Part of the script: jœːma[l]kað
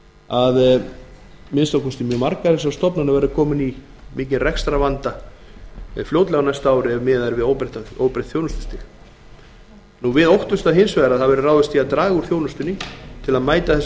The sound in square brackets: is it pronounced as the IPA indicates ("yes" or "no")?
no